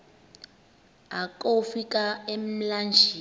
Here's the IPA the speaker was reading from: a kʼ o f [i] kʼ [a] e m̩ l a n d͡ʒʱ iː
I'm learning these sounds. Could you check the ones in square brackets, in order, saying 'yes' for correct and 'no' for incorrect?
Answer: yes, yes

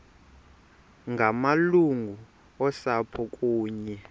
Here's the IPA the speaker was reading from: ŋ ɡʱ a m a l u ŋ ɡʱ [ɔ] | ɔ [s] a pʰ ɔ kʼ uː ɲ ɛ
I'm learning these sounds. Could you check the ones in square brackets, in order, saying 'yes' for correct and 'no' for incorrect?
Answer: no, yes

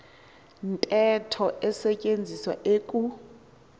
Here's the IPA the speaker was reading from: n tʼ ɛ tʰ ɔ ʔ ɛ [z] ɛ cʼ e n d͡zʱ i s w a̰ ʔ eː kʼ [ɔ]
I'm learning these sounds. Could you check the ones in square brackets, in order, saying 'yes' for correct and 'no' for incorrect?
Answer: no, no

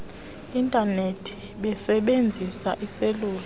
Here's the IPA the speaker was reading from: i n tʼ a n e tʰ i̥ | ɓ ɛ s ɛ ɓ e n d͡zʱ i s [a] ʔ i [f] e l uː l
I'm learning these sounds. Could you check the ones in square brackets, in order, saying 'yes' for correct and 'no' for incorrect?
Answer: yes, no

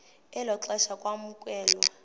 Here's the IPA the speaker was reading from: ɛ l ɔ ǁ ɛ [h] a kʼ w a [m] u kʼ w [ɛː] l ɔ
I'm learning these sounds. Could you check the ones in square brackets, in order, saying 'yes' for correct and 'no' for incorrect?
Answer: no, yes, yes

